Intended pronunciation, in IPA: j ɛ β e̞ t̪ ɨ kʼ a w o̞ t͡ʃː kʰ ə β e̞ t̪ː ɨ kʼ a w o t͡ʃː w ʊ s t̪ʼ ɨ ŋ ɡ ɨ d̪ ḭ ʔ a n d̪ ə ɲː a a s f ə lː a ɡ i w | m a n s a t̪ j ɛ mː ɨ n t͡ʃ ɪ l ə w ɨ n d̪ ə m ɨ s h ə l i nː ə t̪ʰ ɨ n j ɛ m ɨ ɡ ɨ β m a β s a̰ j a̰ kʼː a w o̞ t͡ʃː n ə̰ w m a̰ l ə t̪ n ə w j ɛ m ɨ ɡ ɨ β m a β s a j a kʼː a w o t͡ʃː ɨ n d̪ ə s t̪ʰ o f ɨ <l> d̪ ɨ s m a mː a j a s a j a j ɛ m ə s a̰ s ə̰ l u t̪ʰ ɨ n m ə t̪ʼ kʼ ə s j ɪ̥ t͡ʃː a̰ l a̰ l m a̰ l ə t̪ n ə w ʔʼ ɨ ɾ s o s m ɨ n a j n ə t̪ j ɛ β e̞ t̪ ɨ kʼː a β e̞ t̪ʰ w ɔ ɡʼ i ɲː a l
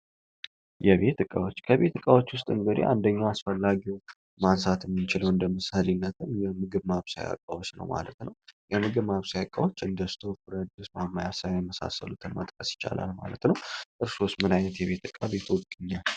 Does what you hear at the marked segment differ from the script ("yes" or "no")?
yes